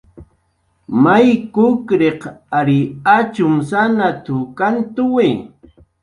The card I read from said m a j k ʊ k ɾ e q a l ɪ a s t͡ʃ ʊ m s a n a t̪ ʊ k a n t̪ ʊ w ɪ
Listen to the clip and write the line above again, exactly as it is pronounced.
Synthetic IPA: m a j k ʊ k ɾ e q a ɾ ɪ a t͡ʃ ʊ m s a n a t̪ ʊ k a n t̪ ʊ w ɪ

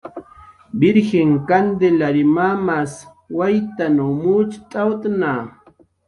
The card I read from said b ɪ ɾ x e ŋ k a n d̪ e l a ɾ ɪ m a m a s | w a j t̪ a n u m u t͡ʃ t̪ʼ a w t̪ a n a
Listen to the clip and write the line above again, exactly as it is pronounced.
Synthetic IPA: b ɪ ɾ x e ŋ k a n d̪ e l a ɾ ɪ m a m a s | w a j t̪ a n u m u t͡ʃ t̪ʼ a w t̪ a n a

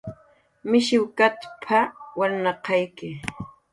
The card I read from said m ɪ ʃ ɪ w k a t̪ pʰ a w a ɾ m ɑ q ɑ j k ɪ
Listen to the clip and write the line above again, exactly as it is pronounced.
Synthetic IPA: m ɪ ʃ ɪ w k a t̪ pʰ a w a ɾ n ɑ q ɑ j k ɪ

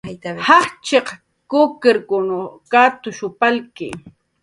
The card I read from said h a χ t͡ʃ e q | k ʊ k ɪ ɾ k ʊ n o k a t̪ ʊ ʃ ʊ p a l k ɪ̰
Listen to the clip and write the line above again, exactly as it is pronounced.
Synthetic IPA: h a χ t͡ʃ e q | k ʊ k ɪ ɾ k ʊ n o k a t̪ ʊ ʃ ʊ p a l k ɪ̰

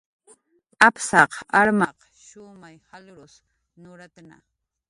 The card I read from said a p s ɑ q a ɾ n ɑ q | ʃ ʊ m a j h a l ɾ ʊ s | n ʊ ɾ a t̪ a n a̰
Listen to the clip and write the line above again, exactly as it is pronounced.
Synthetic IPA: a p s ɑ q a ɾ m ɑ q | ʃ ʊ m a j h a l ɾ ʊ s | n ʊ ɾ a t̪ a n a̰

